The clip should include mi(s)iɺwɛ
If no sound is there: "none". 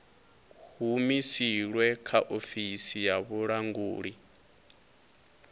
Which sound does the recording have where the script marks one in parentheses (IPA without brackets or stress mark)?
s